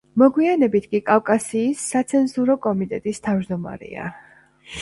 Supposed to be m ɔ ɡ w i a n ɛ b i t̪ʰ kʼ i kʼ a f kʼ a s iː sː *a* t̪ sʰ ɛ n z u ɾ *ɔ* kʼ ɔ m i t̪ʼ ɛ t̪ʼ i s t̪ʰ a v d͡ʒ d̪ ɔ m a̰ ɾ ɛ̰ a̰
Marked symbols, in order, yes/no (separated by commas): yes, yes